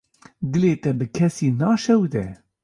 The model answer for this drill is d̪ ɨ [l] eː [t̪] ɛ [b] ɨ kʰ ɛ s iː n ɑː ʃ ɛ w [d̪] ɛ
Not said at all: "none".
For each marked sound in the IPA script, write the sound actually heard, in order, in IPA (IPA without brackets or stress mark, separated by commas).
l, t̪, b, d̪